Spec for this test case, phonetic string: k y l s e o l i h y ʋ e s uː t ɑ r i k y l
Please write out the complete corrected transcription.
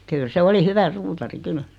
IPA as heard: k y l s e o l i h y ʋ æ s uː t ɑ r i k y l